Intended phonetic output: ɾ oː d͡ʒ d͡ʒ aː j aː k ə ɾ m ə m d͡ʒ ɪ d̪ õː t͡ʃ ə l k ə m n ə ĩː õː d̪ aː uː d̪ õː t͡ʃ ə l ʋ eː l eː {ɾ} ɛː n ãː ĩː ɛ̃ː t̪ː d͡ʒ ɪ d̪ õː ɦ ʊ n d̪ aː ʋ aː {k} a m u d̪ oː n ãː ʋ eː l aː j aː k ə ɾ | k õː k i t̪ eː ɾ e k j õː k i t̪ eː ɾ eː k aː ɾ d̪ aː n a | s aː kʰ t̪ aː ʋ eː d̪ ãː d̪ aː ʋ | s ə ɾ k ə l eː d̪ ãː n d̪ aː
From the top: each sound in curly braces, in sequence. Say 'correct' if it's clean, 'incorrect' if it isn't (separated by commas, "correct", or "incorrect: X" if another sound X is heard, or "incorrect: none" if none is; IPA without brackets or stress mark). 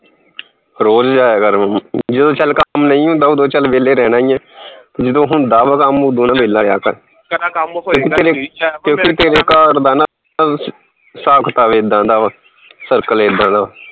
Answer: correct, correct